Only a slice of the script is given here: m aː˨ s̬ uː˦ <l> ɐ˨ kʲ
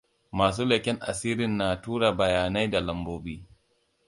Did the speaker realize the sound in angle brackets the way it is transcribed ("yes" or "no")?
yes